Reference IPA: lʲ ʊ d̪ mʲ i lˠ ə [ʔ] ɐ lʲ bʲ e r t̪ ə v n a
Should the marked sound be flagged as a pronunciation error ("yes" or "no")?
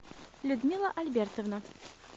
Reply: no